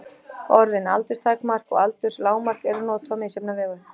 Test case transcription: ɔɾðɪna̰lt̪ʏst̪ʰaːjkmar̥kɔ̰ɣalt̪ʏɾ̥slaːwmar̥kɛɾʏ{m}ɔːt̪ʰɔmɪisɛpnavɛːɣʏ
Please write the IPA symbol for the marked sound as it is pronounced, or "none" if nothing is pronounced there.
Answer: n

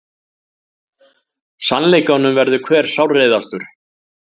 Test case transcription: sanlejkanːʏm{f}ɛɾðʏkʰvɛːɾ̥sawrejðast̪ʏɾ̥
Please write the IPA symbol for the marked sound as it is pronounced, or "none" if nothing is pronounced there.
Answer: v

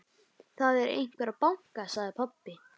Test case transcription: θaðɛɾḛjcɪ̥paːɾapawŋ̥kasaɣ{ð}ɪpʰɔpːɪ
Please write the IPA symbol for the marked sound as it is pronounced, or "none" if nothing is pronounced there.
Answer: ð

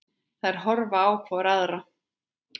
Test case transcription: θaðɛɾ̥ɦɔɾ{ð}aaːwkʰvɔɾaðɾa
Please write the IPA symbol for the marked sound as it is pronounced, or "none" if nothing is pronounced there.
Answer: v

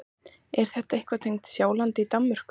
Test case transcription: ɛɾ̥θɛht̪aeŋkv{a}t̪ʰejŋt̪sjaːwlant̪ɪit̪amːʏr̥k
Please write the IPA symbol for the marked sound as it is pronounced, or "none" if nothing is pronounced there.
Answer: a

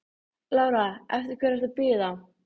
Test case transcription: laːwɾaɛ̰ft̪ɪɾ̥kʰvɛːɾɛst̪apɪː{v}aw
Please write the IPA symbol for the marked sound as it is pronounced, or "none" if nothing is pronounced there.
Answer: ð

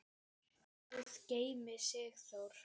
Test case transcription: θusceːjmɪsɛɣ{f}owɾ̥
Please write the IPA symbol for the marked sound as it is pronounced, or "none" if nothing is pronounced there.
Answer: θ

